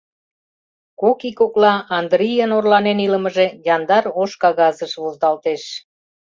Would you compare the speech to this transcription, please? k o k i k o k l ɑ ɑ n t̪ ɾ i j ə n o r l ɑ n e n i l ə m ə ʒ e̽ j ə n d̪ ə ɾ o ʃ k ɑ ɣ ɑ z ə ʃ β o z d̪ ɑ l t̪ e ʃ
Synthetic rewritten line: k o k i k o k l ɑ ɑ n d̪ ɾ i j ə n o r l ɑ n e n i l ə m ə ʒ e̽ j ɑ n d̪ ɑ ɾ o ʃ k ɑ ɣ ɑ z ə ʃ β o z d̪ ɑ l t̪ e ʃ